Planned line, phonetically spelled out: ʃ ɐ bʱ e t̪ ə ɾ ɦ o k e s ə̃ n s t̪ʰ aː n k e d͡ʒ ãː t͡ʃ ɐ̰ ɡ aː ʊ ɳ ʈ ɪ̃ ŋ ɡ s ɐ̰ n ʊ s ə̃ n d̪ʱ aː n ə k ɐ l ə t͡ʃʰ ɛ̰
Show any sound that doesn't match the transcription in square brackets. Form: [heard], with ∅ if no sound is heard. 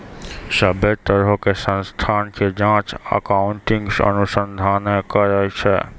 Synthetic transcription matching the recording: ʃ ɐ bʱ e t̪ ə ɾ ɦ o k e s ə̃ n s t̪ʰ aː n k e d͡ʒ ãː t͡ʃ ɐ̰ [k] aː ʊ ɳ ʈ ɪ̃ ŋ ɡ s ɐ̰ n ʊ s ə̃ n d̪ʱ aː n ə k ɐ [ɾ] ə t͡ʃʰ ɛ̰